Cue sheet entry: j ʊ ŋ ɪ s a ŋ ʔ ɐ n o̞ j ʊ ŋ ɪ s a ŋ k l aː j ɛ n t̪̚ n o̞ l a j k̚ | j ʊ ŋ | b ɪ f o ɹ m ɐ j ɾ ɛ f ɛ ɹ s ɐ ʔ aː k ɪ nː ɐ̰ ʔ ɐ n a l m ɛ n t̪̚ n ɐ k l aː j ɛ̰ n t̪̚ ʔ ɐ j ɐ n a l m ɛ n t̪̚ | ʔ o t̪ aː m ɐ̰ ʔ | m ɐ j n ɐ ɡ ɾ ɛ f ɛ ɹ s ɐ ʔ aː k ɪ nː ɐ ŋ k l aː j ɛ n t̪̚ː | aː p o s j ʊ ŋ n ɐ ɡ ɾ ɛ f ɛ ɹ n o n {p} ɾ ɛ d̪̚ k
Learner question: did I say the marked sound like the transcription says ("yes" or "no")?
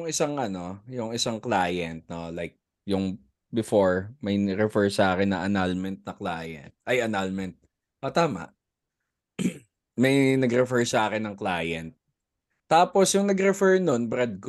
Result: no